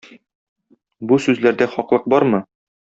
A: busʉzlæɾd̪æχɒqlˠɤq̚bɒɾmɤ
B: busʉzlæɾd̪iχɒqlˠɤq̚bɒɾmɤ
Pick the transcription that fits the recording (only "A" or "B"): A